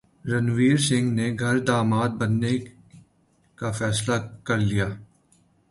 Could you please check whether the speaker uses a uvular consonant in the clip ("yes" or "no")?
no